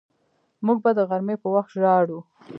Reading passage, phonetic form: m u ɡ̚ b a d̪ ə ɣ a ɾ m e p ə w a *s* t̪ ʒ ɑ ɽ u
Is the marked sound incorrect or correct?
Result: incorrect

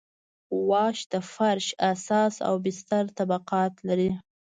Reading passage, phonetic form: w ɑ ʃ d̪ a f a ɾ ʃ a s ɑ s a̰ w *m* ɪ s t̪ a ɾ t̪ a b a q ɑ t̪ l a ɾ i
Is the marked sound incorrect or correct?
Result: incorrect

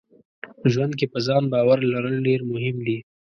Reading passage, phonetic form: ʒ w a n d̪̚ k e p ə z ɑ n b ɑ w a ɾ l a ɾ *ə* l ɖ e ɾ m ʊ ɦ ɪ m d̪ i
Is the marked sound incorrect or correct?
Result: correct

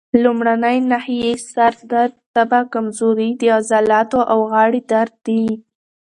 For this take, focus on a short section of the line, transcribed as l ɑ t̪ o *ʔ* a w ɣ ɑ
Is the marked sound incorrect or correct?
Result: correct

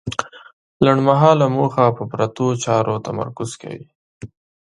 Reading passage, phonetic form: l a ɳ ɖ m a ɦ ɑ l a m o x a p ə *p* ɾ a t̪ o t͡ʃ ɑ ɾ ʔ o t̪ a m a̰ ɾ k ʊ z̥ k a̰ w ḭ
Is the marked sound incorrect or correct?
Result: correct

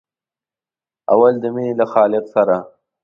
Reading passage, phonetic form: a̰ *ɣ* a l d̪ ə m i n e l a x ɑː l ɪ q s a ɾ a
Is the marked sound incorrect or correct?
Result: incorrect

